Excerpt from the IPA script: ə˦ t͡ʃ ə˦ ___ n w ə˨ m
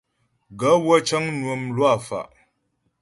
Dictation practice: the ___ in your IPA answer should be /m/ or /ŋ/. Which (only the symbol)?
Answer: ŋ